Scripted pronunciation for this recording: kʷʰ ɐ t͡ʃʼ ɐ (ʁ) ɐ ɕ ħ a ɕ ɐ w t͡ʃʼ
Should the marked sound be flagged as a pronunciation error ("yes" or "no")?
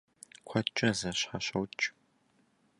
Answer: yes